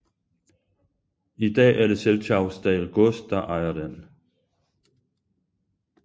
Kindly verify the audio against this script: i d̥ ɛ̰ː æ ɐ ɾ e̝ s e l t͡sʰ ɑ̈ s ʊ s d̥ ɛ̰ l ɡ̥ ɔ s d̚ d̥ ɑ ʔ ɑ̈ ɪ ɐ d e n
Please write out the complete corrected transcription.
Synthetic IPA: i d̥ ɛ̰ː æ ɐ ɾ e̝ s e l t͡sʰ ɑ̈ ʊ s d̥ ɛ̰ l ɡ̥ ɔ s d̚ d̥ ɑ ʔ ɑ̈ ɪ ɐ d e n